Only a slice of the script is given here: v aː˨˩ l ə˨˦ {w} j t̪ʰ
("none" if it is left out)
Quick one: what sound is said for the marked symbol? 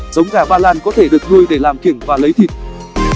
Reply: none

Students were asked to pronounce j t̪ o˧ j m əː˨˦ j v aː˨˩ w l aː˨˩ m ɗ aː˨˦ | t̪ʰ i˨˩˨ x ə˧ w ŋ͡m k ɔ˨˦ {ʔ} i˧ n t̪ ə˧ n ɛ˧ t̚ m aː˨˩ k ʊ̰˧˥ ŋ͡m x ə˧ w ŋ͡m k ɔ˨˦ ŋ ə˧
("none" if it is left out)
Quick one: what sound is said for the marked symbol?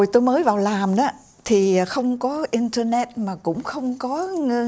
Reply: ʔ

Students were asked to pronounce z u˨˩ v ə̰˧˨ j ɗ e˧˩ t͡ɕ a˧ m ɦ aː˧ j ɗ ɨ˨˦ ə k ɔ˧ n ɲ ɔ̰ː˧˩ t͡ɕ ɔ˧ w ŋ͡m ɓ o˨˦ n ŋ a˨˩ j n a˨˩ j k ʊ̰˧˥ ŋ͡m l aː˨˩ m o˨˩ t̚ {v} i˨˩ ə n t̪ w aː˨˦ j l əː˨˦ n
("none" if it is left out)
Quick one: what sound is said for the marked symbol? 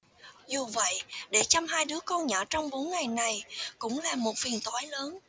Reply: f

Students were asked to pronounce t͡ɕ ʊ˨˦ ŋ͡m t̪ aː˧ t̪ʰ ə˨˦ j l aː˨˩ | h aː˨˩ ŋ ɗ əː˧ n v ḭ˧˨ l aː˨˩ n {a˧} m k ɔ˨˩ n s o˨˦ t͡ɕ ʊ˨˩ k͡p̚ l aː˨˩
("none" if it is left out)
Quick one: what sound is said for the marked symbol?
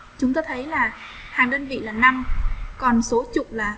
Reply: a˧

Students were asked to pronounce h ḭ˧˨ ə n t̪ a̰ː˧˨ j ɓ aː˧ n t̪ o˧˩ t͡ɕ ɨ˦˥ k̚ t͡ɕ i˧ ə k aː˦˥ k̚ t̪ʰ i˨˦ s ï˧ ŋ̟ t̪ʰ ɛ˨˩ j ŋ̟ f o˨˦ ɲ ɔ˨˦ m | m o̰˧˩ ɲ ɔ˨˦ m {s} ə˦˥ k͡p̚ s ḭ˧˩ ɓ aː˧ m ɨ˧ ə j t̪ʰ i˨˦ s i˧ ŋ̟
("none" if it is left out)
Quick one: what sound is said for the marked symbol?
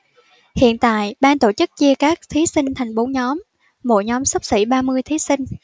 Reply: s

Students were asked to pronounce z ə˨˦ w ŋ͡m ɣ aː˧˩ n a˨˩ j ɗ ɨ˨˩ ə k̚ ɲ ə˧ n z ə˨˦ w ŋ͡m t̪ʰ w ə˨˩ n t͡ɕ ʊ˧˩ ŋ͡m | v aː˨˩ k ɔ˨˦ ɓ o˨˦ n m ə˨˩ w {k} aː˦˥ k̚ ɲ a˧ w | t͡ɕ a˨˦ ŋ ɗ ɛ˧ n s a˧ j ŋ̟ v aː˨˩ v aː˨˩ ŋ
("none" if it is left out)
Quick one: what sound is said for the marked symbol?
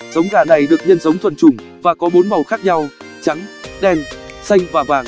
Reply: x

